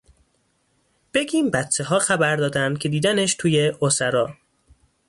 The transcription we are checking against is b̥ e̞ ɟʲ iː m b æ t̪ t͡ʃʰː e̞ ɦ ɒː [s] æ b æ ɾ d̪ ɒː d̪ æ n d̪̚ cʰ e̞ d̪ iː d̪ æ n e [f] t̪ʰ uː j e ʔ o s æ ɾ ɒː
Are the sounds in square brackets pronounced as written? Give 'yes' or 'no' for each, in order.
no, no

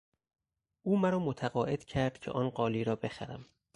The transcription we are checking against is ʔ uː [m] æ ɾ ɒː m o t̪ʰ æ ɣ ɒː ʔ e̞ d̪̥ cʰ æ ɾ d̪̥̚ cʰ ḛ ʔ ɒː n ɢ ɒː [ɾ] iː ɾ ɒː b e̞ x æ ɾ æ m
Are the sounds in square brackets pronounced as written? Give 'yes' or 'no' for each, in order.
yes, no

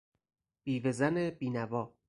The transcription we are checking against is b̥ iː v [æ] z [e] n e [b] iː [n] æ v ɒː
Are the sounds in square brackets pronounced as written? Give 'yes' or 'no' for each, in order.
no, no, yes, yes

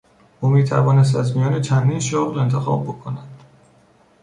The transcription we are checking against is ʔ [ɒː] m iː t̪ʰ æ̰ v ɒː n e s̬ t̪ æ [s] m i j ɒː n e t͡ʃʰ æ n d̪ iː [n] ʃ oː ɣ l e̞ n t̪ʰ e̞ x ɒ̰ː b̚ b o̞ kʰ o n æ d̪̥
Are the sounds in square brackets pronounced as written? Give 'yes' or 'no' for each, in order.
no, no, yes

